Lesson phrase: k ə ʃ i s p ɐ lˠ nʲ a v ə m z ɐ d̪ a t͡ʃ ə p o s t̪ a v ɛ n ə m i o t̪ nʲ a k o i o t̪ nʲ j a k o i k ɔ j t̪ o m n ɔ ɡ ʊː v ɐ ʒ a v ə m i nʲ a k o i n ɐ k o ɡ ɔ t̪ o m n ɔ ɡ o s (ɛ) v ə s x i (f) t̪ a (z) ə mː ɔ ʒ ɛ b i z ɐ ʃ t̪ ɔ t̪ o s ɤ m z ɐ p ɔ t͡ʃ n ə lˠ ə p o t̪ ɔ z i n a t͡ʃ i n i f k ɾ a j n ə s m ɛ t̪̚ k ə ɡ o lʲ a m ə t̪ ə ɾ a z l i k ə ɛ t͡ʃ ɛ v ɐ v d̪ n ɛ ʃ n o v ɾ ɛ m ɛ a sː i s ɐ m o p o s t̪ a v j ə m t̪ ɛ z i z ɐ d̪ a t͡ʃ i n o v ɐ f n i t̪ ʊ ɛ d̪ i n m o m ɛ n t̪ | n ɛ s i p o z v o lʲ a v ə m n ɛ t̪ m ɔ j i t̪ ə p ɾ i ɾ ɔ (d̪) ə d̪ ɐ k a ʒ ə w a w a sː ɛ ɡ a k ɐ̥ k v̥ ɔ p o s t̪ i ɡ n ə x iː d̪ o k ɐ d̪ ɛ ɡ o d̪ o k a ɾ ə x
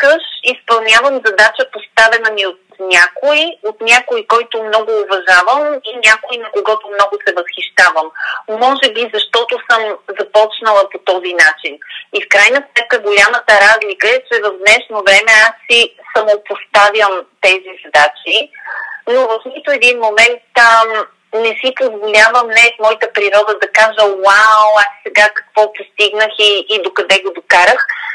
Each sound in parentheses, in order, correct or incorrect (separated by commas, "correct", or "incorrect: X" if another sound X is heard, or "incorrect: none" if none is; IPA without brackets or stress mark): correct, incorrect: ʃ, incorrect: v, correct